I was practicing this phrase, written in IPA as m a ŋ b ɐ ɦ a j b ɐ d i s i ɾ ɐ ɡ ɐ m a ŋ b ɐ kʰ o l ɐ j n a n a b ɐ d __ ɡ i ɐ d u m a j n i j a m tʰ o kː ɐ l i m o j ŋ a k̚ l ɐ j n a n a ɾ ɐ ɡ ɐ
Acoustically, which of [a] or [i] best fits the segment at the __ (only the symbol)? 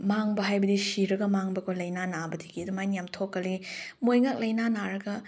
i